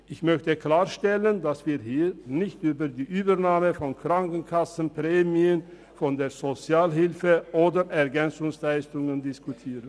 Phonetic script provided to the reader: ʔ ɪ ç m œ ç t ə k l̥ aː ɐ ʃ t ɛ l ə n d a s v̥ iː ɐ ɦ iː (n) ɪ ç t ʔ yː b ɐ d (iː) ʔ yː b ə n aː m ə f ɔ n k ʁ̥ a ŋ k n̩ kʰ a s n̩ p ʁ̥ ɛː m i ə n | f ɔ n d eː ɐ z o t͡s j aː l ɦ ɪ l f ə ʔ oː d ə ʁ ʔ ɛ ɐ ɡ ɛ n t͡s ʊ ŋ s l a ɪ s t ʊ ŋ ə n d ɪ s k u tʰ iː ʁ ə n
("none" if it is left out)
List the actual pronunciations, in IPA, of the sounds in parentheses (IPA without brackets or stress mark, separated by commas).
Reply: n, iː